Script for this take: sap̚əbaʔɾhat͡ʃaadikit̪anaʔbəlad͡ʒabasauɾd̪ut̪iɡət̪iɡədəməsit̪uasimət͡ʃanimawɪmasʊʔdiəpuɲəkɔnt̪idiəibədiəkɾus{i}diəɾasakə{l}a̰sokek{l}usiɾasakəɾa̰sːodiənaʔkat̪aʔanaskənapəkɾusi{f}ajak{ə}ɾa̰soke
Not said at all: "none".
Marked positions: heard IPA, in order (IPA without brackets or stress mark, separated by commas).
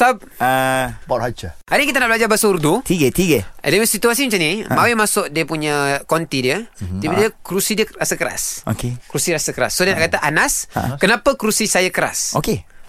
i, ɾ, ɾ, s, ə